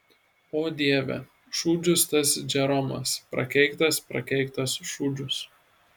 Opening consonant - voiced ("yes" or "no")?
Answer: yes